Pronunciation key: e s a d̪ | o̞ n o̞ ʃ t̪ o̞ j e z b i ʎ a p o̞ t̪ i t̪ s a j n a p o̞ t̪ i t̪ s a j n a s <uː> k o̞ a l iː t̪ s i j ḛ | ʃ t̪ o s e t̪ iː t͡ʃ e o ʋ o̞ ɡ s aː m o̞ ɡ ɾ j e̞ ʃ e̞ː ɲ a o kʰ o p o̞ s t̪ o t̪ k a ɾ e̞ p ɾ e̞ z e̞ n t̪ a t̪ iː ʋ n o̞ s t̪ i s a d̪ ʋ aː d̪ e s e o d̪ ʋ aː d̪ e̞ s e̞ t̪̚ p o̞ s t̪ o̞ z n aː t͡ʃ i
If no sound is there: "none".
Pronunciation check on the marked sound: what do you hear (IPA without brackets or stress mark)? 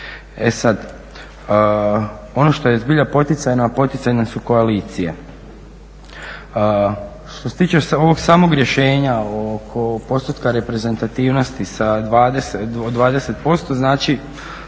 u